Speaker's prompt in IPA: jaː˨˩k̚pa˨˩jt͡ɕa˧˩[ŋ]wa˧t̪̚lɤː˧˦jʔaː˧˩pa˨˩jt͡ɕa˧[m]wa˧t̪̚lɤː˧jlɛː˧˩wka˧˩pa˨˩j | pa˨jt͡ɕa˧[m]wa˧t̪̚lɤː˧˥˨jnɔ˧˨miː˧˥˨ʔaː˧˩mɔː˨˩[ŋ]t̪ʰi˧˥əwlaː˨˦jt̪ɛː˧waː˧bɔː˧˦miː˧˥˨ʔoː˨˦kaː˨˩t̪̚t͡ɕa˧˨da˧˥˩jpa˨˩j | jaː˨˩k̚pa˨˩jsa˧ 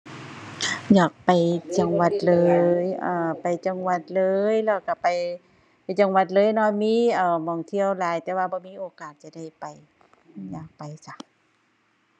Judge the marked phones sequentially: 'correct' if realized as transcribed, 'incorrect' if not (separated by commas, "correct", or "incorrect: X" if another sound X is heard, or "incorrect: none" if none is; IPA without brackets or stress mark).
correct, incorrect: ŋ, incorrect: ŋ, correct